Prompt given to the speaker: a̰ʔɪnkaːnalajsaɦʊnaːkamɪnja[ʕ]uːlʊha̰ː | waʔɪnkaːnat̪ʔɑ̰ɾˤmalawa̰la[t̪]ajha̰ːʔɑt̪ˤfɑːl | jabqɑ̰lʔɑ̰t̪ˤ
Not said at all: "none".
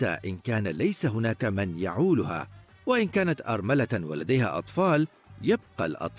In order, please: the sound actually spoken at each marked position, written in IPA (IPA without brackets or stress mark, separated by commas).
ʕ, d̪